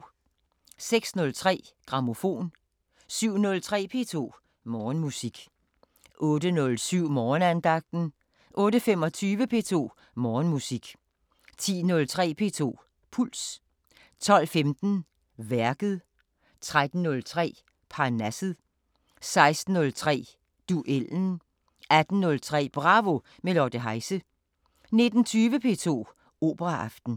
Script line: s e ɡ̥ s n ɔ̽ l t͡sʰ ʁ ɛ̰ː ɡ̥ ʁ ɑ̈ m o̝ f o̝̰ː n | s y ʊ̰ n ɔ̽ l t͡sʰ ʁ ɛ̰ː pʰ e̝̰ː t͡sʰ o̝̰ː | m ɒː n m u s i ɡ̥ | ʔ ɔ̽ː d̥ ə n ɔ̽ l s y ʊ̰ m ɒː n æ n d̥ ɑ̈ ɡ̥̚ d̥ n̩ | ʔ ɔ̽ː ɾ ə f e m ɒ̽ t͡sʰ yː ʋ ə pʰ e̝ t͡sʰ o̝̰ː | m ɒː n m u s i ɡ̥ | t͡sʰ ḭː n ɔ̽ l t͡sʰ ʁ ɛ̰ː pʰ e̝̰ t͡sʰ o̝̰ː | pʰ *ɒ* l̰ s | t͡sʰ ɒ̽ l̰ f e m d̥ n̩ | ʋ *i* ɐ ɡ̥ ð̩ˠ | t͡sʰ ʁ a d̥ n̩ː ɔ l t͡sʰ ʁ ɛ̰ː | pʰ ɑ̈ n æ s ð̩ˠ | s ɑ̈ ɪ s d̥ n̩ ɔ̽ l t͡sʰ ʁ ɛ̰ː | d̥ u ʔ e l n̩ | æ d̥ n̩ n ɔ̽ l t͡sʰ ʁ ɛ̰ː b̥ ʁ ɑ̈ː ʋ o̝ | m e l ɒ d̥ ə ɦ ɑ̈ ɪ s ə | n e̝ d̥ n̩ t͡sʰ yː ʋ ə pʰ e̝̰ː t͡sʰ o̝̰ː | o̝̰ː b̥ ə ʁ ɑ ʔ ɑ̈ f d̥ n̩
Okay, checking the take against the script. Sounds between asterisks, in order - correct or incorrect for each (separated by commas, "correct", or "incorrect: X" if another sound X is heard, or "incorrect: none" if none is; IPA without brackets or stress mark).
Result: incorrect: u, incorrect: æ